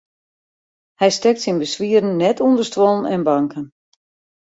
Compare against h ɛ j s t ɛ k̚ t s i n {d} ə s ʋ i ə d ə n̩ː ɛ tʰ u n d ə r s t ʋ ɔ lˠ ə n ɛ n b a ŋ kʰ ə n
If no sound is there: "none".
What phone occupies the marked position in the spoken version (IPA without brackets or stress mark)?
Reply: b